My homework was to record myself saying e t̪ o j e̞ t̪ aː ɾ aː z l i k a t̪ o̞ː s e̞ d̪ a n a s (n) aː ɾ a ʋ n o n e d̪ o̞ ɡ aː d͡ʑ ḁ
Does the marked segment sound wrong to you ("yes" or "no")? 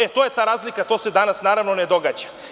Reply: no